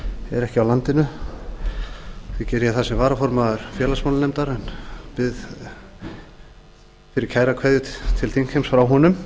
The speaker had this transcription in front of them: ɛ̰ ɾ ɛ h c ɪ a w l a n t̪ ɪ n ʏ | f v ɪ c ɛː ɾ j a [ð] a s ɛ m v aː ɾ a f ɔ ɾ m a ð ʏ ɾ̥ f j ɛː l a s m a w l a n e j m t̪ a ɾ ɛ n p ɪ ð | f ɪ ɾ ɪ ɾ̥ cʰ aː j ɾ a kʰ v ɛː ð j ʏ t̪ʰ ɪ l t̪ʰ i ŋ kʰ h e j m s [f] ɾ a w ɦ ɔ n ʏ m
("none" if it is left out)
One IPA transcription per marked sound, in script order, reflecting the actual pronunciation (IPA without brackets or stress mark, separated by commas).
θ, f